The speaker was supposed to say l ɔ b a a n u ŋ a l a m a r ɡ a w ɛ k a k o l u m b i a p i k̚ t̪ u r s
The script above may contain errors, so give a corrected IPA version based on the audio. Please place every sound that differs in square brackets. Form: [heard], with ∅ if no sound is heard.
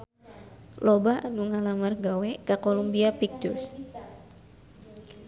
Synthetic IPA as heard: l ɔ b a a n u ŋ a l a m a r ɡ a w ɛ k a k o l u m b i a p i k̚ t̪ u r s